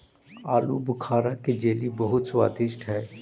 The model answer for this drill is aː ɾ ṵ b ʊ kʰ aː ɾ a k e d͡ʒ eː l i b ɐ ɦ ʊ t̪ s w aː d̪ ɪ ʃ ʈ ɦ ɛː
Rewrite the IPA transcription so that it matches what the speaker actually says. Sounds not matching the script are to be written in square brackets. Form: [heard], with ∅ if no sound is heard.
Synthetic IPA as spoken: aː [l] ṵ b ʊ kʰ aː ɾ a k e d͡ʒ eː l i b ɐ ɦ ʊ t̪ s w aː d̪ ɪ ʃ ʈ ɦ ɛː